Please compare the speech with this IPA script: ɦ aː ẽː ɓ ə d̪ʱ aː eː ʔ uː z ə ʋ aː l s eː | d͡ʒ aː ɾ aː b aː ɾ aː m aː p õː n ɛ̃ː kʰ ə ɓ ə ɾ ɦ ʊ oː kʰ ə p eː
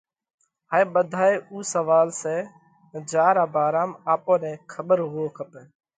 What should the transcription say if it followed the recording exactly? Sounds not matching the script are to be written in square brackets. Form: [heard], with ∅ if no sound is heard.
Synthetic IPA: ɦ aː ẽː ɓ ə d̪ʱ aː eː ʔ uː [s] ə ʋ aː l s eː | d͡ʒ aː ɾ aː b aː ɾ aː m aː p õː n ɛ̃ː kʰ ə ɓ ə ɾ ɦ ʊ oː kʰ ə p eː